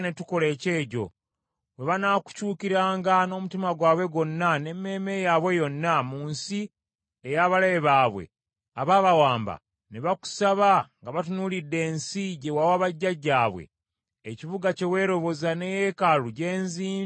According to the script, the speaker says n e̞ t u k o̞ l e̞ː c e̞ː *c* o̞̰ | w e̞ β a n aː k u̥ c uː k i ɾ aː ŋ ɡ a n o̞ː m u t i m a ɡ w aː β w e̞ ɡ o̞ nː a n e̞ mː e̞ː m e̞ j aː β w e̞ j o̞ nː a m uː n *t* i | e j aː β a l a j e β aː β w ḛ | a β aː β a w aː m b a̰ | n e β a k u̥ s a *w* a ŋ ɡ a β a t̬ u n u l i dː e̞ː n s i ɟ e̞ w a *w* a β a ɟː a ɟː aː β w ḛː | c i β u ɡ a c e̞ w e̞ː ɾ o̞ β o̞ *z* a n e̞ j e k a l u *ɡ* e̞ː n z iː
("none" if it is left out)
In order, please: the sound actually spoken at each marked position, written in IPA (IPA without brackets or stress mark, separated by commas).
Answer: ɟ, s, β, w, z, ɟ